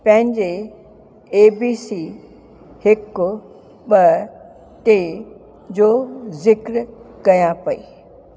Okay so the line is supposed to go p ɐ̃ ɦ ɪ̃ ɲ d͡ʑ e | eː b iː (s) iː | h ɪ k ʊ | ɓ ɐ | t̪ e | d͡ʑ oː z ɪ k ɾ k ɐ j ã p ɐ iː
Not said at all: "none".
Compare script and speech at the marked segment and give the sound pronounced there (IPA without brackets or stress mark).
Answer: s